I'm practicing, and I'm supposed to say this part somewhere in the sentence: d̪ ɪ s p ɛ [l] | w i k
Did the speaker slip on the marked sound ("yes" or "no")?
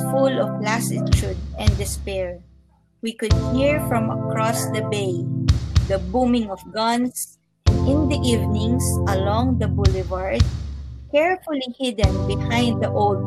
yes